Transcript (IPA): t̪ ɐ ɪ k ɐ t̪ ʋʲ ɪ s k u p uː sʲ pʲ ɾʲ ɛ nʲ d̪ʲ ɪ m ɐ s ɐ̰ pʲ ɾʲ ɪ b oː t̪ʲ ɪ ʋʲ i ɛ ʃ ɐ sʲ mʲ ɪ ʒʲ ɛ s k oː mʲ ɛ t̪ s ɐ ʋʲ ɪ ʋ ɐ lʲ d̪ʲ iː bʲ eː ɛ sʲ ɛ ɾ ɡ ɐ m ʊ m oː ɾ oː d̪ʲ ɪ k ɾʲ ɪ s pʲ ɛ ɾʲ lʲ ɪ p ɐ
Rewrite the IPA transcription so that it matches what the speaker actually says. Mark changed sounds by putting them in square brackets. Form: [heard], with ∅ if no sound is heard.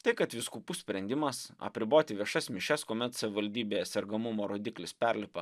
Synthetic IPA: t̪ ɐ ɪ k ɐ t̪ ʋʲ ɪ s k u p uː sʲ pʲ ɾʲ ɛ nʲ d̪ʲ ɪ m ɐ s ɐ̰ pʲ ɾʲ ɪ b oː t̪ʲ ɪ ʋʲ i ɛ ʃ ɐ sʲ mʲ ɪ [ʃʲ] ɛ s k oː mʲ ɛ t̪ s ɐ ʋʲ ɪ ʋ ɐ lʲ d̪ʲ iː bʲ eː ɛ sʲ ɛ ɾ ɡ ɐ m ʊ m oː ɾ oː d̪ʲ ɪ k [lʲ] ɪ s pʲ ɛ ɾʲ lʲ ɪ p ɐ